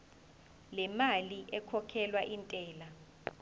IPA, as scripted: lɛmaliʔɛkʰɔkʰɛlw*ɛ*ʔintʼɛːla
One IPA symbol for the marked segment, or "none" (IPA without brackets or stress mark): a